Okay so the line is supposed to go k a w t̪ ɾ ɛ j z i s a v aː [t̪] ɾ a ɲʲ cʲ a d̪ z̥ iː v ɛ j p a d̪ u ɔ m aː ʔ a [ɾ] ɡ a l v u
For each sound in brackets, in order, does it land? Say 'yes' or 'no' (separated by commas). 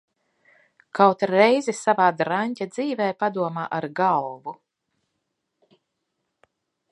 no, yes